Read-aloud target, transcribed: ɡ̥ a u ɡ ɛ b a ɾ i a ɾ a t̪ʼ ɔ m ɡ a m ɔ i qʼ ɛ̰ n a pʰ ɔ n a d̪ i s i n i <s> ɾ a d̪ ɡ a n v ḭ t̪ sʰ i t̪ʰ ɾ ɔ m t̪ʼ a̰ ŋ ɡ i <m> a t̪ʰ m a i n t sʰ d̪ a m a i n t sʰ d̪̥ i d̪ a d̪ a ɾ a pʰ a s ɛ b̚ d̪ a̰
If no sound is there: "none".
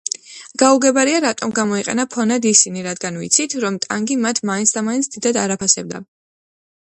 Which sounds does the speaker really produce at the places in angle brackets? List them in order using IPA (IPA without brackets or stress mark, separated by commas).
none, m